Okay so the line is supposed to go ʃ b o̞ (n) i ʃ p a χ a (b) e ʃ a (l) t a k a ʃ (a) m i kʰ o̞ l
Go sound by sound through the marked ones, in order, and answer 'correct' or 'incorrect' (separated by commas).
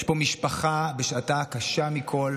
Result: incorrect, correct, incorrect, correct